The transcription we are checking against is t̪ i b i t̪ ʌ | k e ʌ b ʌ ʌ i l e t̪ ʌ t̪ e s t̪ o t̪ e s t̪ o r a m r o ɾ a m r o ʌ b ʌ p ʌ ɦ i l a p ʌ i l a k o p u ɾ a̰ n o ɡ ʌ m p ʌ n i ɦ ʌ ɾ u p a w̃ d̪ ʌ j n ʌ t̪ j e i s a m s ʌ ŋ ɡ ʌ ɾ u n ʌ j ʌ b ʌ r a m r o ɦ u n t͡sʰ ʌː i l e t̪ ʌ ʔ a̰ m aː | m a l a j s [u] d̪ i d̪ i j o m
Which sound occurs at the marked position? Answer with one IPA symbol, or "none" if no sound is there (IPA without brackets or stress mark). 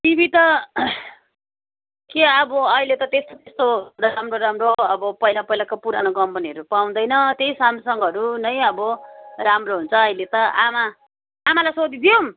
o